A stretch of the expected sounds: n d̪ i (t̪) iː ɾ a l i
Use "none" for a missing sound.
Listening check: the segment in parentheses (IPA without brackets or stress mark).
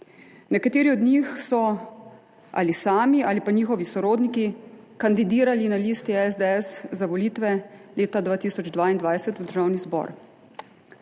d̪